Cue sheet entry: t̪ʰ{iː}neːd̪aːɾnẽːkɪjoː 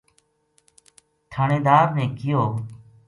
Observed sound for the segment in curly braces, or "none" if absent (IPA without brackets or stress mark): aː